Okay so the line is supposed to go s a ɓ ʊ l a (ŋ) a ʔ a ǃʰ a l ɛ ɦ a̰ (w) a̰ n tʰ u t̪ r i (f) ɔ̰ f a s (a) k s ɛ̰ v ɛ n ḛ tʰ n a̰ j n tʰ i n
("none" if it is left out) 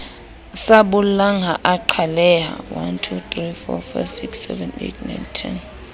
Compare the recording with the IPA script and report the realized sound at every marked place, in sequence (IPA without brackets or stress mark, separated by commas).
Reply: ŋ, w, f, i